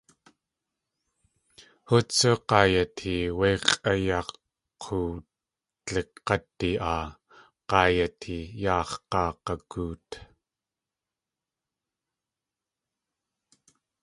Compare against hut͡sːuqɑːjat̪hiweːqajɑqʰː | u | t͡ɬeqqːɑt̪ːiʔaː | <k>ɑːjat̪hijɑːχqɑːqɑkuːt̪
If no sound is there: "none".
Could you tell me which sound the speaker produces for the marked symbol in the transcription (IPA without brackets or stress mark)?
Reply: q